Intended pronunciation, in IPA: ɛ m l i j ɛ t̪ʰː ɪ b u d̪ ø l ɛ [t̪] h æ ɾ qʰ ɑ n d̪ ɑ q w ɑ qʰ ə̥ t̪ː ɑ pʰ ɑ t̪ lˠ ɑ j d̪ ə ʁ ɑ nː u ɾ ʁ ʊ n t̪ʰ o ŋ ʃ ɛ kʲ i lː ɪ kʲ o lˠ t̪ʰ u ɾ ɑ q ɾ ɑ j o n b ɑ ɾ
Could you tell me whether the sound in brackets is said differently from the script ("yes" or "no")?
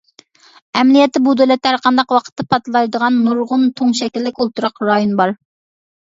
no